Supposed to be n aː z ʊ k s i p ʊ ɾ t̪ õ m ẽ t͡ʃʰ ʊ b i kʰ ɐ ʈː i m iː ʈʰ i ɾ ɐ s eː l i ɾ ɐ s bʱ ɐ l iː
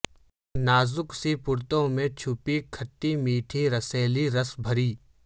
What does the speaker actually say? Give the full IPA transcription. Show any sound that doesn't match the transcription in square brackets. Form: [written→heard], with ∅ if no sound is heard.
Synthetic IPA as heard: n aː z ʊ k s i p ʊ ɾ t̪ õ m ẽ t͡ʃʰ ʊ [b→p] i kʰ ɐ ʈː i m iː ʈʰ i ɾ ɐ s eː l i ɾ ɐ s bʱ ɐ [l→ɾ] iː